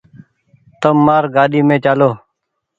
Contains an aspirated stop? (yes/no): no